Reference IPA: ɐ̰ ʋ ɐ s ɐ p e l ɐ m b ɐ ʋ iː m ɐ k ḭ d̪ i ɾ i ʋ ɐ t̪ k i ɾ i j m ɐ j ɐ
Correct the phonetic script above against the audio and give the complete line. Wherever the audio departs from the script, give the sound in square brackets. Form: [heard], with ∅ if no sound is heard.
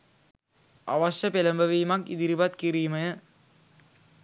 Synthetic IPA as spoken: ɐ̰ ʋ ɐ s ɐ p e l ɐ m b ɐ ʋ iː m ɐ k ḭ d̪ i ɾ i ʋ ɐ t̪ k i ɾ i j m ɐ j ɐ